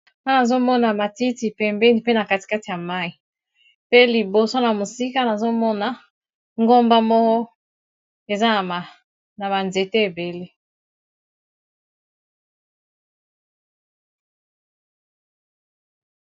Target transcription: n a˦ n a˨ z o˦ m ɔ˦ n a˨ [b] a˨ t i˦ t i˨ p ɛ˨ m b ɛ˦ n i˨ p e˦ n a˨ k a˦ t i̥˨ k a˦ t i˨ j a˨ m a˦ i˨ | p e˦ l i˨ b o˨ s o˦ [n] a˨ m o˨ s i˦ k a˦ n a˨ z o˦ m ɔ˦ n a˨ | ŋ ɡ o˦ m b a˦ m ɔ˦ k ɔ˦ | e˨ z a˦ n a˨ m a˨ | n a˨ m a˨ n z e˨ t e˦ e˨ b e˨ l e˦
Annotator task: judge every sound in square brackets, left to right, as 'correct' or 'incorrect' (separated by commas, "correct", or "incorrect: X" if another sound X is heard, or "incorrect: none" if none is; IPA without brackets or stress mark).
incorrect: m, correct